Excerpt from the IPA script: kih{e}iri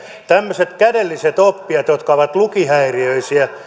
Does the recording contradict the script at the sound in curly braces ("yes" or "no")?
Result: yes